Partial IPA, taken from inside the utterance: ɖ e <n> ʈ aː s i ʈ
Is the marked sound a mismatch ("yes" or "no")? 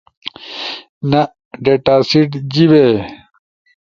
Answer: yes